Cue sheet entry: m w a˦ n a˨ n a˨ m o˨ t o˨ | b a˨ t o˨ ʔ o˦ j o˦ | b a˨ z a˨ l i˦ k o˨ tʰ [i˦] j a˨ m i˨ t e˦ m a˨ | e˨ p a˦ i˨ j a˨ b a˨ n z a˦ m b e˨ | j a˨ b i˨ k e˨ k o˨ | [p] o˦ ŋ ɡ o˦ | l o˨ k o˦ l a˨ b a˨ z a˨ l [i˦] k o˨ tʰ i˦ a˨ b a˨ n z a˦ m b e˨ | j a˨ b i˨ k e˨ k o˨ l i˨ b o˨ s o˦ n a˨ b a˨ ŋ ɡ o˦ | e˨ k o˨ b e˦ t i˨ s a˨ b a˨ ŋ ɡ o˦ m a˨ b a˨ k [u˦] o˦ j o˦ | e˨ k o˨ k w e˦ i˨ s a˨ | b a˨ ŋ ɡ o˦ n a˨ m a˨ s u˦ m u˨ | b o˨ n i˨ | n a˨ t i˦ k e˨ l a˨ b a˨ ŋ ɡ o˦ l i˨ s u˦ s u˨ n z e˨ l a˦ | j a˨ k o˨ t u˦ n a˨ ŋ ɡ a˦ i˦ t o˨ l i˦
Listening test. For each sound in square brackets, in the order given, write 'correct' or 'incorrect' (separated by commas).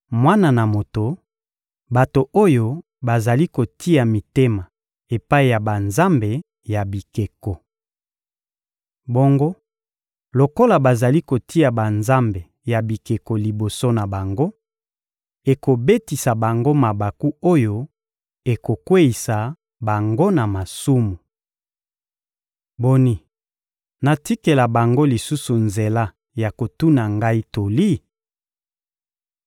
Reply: correct, incorrect, correct, correct